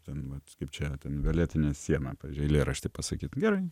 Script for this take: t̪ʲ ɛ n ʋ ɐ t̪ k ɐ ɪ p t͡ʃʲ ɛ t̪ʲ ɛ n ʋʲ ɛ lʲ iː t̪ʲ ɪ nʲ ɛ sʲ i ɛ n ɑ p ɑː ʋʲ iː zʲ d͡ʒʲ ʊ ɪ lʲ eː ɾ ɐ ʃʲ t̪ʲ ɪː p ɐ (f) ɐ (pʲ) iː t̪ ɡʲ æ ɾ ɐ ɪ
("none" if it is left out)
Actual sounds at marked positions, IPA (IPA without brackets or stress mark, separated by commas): s, kʲ